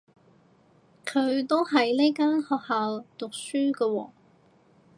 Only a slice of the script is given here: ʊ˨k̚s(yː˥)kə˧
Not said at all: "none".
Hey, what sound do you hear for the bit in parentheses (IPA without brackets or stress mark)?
yː˥